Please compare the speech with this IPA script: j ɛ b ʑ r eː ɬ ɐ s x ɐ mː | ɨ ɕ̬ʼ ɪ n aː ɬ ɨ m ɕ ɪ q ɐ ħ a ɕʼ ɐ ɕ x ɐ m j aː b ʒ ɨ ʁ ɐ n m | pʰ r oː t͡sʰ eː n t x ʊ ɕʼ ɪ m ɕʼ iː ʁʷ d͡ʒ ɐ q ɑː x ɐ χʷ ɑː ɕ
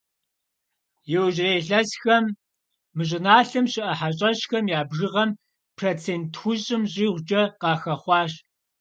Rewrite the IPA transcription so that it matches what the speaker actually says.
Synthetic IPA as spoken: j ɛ w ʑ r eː ɬ ɐ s x ɐ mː | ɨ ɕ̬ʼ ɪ n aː ɬ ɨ m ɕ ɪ ʔ ɐ ħ a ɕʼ ɐ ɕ x ɐ m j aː b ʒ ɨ ʁ ɐ m | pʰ r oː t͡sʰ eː n t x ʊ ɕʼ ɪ m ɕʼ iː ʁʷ d͡ʒ ɐ q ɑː x ɐ χʷ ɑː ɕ

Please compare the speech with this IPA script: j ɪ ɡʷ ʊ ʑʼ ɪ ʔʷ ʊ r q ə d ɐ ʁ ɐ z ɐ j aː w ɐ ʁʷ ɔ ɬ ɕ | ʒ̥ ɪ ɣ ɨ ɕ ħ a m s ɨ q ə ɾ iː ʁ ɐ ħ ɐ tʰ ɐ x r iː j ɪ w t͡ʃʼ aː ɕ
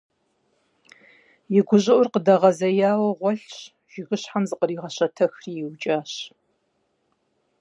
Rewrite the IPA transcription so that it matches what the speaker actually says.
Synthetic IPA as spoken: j ɪ ɡʷ ʊ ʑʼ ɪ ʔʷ ʊ r q ə d ɐ ʁ ɐ z ɐ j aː w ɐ ʁʷ ɔ ɬ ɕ | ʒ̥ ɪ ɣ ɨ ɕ ħ a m z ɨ q ə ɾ iː ʁ ɐ ɕ ɐ tʰ ɐ x r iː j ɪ w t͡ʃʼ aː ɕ

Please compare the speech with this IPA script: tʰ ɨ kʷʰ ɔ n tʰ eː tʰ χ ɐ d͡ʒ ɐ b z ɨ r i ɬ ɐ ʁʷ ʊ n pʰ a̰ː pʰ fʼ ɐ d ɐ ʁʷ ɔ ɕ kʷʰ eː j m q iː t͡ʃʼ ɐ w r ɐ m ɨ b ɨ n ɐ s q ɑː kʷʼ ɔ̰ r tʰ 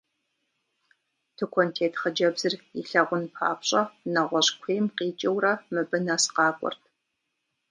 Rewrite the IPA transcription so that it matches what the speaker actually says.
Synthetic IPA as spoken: tʰ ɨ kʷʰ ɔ n tʰ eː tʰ χ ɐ d͡ʒ ɐ b z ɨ r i ɬ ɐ ʁʷ ʊ n pʰ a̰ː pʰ ɕʼ ɐ n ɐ ʁʷ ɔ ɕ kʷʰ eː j m q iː t͡ʃʼ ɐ w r ɐ m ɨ b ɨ n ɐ s q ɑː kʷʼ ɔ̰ r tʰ

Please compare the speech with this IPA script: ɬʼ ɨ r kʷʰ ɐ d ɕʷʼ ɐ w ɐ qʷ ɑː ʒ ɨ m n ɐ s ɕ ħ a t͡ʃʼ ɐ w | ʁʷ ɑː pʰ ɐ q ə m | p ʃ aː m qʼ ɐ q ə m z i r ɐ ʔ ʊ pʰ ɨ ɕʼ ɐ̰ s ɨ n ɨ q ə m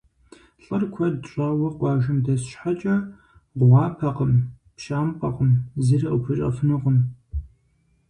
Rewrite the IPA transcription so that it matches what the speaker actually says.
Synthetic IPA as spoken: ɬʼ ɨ r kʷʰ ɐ d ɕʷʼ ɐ w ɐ qʷ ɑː ʒ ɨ m d ɐ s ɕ ħ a t͡ʃʼ ɐ | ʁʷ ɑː pʰ ɐ q ə m | p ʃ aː m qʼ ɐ q ə m z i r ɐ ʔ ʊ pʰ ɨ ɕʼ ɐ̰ f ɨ n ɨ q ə m

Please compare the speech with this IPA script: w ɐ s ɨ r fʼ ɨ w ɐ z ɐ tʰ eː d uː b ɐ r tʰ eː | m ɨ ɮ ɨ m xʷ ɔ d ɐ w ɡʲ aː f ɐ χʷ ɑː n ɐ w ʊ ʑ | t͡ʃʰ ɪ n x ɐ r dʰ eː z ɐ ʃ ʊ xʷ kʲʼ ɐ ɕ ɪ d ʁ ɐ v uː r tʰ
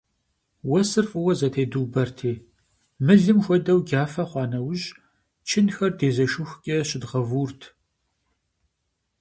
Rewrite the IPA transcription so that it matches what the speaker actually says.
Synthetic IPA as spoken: w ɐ s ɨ r fʼ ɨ w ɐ z ɐ tʰ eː d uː b ɐ r tʰ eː | m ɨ ɮ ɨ m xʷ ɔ d ɐ w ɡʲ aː f ɐ χʷ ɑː n ɐ w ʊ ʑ | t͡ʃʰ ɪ n x ɐ r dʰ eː z ɐ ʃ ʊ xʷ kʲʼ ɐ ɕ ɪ d ʁ ɐ v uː r tʰ

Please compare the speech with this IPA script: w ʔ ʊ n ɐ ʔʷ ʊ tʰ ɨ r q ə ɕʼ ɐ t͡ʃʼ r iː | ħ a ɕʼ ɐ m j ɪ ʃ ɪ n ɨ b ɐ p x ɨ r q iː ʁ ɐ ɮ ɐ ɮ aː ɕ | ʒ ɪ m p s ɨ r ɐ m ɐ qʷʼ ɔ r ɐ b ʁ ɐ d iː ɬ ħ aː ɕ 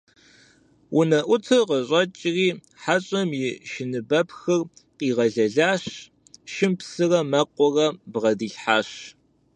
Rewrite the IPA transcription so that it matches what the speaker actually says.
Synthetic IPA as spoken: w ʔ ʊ n ɐ ʔʷ ʊ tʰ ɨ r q ə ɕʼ ɐ t͡ʃʼ r iː | ħ a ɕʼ ɐ m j ɪ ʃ ɪ n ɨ b ɐ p x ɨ r q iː ʁ ɐ ɮ ɐ ɮ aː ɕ | ʃ ɪ m p s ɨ r ɐ m ɐ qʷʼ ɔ r ɐ b ʁ ɐ d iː ɬ ħ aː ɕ

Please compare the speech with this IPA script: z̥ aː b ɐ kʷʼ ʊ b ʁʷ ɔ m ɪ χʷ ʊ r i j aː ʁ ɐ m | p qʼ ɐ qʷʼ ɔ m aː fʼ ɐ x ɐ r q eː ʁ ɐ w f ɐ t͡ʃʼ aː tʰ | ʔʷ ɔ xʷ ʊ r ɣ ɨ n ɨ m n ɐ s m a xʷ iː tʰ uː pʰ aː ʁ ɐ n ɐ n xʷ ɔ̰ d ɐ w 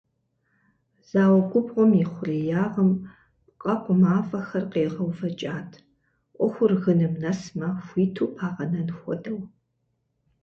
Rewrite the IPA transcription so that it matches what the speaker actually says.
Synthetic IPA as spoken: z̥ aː w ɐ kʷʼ ʊ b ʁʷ ɔ m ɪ χʷ ʊ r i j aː ʁ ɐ m | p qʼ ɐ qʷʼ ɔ m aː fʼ ɐ x ɐ r q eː ʁ ɐ w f ɐ t͡ʃʼ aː tʰ | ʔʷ ɔ xʷ ʊ r ɣ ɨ n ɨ m n ɐ s m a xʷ iː tʰ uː pʰ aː ʁ ɐ n ɐ n xʷ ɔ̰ d ɐ w

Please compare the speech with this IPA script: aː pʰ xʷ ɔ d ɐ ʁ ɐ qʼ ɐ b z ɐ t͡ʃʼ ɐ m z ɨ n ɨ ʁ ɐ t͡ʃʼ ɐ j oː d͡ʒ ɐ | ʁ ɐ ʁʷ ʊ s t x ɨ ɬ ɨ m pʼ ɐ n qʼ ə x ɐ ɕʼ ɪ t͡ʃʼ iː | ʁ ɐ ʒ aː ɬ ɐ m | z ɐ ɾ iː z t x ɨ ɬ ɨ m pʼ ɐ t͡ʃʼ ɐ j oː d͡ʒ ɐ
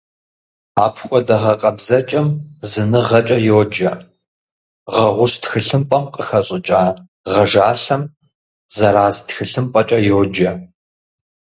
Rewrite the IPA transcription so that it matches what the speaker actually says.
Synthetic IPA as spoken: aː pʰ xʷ ɔ d ɐ ʁ ɐ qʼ ɐ b z ɐ t͡ʃʼ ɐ m z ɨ n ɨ ʁ ɐ t͡ʃʼ ɐ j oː d͡ʒ ɐ | ʁ ɐ ʁʷ ʊ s t x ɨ ɬ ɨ m pʼ ɐ m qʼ ə x ɐ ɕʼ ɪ t͡ʃʼ aː | ʁ ɐ ʒ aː ɬ ɐ m | z ɐ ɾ aː z t x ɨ ɬ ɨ m pʼ ɐ t͡ʃʼ ɐ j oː d͡ʒ ɐ

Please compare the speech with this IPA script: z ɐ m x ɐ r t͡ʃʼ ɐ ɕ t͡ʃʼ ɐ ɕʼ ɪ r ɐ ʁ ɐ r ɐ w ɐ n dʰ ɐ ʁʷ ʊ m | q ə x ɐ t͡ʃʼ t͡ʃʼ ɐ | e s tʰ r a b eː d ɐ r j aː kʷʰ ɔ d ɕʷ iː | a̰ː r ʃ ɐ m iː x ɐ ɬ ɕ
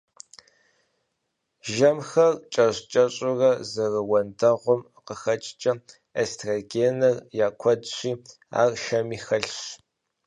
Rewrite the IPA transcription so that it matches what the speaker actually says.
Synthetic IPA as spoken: ʒ ɐ m x ɐ r t͡ʃʼ ɐ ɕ t͡ʃʼ ɐ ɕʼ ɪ r ɐ z ɐ r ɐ w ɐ n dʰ ɐ ʁʷ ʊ m | q ə x ɐ t͡ʃʼ t͡ʃʼ ɐ | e s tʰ r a ɡ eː n ɐ r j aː kʷʰ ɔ d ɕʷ iː | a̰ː r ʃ ɐ m iː x ɐ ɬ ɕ

